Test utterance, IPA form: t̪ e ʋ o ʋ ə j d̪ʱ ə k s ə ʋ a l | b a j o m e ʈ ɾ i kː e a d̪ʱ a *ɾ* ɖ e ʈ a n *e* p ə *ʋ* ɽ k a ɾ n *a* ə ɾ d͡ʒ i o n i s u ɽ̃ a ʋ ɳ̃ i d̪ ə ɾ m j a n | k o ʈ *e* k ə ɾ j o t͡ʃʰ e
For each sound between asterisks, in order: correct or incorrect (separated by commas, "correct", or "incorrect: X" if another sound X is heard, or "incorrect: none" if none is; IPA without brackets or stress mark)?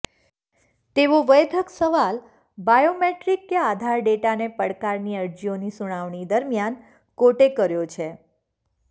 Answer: correct, correct, incorrect: none, incorrect: i, correct